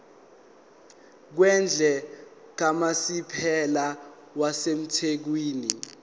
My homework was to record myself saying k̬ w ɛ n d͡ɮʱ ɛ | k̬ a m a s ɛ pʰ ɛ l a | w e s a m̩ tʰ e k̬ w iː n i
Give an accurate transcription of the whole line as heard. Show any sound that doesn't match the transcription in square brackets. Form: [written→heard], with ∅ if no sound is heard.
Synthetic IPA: k̬ w ɛ n d͡ɮʱ ɛ | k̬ a m a s [ɛ→i] pʰ ɛ l a | w [e→a] s [a→e] m̩ tʰ e k̬ w iː n i